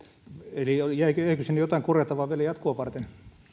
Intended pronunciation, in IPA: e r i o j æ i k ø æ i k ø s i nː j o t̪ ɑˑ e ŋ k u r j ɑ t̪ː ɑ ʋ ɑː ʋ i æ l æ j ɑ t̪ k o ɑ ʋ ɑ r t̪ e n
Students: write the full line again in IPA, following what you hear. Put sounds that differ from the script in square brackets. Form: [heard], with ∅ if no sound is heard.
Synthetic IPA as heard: e [l] i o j æ i k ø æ i k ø s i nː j o t̪ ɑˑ [i] ŋ k u r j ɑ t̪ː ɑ ʋ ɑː ʋ i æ l æ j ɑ t̪ k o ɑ ʋ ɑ r t̪ e n